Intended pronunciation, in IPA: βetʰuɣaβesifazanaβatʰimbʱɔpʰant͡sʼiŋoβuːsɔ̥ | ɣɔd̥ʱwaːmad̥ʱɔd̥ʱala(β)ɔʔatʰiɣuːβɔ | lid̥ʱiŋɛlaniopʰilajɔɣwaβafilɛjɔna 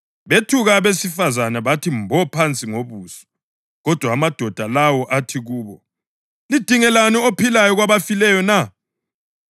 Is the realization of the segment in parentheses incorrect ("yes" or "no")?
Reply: yes